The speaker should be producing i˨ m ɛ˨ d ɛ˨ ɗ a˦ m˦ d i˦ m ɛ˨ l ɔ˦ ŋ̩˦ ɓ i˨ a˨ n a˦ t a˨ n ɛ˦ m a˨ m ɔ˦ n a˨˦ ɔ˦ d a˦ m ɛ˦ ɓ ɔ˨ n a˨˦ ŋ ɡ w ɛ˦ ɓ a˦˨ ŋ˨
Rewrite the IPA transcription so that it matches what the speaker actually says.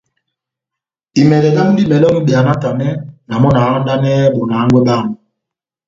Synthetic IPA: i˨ m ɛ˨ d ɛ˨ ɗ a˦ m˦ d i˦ m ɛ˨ l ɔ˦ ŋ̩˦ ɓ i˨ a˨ n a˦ t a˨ n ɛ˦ n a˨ m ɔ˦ n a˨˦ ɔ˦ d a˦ n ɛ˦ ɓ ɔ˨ n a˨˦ ŋ ɡ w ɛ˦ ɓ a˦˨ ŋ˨

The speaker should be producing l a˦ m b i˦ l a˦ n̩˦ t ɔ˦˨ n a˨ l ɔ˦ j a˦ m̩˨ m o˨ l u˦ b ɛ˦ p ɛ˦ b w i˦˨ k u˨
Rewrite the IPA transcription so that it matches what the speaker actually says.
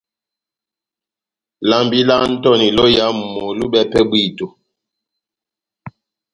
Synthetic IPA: l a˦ m b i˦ l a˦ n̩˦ t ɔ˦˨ n i˨ l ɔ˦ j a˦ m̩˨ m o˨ l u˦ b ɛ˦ p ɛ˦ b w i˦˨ t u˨

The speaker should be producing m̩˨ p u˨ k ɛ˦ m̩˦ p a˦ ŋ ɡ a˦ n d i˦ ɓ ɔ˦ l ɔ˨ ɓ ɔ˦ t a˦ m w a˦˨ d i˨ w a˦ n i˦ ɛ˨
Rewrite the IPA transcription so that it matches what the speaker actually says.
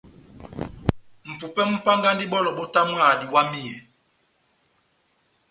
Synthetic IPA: m̩˨ p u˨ p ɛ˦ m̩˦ p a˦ ŋ ɡ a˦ n d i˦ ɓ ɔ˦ l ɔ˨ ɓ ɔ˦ t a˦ m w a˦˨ d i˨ w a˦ m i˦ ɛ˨

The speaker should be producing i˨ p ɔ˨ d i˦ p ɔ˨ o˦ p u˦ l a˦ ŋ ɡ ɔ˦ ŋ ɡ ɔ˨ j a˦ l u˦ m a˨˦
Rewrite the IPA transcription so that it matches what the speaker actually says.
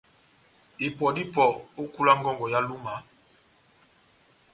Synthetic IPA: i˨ p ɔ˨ d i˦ p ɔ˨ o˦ k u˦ l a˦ ŋ ɡ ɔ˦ ŋ ɡ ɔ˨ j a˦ l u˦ m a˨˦

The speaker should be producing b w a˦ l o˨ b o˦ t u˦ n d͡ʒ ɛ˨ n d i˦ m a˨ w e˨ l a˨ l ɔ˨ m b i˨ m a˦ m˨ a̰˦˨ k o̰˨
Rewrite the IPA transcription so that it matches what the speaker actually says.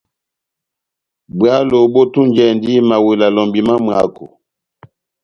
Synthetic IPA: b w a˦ l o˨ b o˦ t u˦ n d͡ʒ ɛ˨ n d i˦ m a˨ w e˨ l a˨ l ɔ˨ m b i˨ m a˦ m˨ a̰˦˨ k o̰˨

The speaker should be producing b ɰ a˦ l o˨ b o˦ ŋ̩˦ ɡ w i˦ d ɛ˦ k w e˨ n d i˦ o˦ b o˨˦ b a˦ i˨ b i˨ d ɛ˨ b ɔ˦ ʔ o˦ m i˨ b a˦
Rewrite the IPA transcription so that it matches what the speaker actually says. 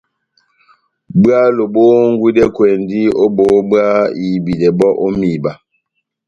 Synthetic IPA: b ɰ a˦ l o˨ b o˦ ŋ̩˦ ɡ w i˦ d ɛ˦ k w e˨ n d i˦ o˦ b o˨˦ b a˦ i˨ b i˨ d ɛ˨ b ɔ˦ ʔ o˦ m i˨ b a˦

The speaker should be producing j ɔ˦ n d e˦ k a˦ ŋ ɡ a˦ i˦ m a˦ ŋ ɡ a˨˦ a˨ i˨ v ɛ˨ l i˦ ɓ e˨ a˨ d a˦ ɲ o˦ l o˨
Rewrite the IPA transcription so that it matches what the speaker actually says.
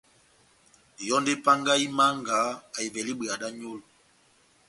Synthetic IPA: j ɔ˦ n d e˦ p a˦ ŋ ɡ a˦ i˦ m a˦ ŋ ɡ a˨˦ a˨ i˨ v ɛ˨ l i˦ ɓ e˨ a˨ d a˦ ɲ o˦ l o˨

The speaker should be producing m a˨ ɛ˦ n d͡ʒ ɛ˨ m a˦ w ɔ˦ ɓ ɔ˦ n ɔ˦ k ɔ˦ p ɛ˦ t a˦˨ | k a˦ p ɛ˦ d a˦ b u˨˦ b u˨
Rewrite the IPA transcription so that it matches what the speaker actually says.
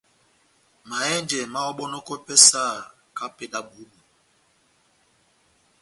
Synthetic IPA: m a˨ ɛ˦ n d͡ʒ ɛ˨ m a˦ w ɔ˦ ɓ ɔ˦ n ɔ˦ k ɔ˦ p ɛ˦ s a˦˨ | k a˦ p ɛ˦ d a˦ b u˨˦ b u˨

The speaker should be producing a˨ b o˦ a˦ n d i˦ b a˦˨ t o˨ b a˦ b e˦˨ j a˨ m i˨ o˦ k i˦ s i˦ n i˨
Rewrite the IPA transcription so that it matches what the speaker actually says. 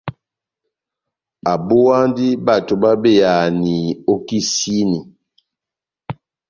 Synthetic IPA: a˨ b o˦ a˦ n d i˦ b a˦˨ t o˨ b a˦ b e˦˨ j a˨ n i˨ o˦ k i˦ s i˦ n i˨

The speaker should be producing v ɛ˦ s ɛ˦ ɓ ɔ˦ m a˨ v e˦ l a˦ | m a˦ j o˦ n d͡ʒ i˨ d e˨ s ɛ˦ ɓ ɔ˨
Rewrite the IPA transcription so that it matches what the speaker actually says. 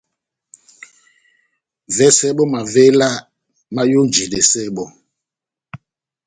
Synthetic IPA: v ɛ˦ s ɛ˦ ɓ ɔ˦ m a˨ v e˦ l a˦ | m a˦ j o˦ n d͡ʒ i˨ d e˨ s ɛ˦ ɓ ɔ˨

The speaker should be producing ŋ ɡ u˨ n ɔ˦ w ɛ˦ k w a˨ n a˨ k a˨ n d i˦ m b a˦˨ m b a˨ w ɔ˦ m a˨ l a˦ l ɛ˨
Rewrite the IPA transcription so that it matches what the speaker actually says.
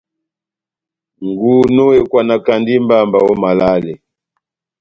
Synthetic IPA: ŋ ɡ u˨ n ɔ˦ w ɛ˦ k w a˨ n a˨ k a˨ n d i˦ m b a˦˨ m b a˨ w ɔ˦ m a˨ l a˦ l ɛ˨

